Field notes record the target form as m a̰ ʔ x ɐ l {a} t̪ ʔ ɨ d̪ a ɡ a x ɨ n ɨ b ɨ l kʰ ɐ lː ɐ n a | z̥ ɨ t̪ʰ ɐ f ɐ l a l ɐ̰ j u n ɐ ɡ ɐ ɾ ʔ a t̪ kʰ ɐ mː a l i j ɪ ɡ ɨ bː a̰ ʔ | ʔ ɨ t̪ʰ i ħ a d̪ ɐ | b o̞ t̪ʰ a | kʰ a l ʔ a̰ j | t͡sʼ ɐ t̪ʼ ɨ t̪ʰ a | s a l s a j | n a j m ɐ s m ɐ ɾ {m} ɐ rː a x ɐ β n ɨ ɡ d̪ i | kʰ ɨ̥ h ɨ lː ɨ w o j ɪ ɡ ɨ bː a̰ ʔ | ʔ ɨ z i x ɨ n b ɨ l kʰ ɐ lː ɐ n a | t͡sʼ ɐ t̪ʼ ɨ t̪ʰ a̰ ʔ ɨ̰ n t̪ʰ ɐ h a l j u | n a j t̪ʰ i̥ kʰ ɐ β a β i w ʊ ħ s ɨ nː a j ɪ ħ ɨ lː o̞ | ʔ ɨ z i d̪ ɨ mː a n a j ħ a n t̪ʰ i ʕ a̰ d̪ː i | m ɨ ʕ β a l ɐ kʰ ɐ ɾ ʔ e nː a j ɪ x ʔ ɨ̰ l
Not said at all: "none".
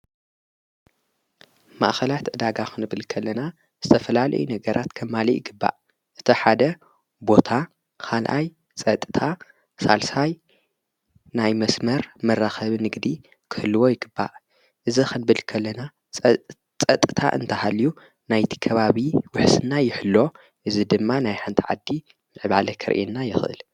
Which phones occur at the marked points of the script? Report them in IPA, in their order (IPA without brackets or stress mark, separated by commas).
a, m